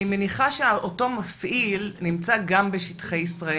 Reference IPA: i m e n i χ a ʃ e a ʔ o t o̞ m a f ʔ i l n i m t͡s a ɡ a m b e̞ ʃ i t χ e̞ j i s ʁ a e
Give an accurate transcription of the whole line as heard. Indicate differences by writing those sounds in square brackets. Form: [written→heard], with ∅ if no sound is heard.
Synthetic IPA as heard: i m e n i χ a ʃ e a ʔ o t o̞ m a f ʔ i l n i m t͡s a ɡ a m b e̞ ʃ i t χ e̞ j i s ʁ a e